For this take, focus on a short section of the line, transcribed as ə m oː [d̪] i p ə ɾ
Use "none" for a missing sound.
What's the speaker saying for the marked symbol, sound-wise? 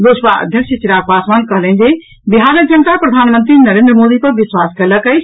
d̪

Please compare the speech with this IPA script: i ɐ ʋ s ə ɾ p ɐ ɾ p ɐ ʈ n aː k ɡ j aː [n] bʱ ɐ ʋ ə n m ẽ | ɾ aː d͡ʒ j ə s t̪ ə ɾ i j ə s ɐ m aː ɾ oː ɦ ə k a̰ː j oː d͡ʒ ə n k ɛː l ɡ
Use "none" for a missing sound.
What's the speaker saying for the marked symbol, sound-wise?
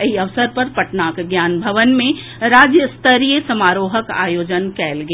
n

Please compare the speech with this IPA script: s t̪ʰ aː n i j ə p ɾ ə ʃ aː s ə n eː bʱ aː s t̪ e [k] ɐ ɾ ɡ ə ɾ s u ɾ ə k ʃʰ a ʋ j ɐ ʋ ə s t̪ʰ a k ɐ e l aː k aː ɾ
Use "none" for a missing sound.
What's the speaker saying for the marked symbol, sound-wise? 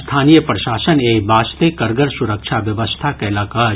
k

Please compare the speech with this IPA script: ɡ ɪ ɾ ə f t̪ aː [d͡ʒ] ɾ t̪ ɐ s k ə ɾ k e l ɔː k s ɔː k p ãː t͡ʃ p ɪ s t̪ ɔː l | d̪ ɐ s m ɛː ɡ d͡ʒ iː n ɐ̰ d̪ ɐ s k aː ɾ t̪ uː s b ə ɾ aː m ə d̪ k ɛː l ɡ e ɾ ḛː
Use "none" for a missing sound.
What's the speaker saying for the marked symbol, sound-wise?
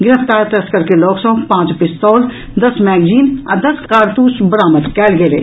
none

